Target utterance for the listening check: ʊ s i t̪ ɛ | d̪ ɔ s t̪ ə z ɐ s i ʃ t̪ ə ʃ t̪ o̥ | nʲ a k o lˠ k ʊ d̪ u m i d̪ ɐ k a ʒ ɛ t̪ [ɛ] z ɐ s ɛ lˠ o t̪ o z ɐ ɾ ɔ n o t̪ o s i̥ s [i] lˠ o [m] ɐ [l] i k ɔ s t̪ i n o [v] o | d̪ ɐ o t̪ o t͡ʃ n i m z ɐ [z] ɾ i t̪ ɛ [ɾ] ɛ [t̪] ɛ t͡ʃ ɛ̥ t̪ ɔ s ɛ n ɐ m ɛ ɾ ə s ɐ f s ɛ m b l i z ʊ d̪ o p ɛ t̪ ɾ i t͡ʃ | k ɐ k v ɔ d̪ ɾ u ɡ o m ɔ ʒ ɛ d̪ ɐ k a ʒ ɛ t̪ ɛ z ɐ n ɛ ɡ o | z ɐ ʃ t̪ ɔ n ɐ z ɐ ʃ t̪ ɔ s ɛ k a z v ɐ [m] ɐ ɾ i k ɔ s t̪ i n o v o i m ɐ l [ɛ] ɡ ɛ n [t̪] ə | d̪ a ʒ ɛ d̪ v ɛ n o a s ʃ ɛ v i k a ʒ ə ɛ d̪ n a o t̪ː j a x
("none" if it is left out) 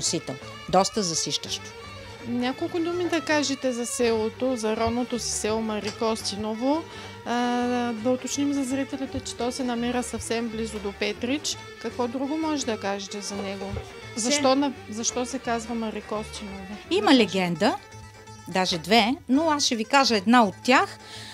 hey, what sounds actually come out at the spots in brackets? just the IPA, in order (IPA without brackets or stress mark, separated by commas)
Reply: ɛ, ɛ, m, ɾ, v, z, l, t̪, m, ɛ, d̪